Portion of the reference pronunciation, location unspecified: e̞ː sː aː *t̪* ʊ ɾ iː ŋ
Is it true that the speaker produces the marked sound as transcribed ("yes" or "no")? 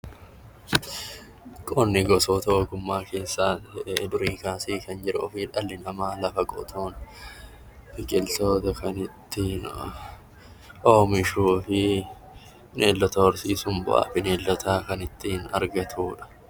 no